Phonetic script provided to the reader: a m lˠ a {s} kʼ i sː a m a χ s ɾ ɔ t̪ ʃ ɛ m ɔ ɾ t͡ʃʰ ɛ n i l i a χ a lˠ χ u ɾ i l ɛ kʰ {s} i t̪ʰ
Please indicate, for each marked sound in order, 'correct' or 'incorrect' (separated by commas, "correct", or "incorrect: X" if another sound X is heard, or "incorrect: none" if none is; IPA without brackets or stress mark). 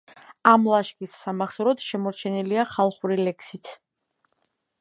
incorrect: ʃ, correct